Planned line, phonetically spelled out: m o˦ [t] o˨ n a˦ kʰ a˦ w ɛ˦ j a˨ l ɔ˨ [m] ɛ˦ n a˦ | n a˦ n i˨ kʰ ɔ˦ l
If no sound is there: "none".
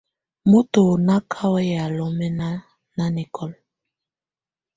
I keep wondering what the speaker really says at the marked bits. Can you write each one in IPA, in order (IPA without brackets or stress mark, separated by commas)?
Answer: t, m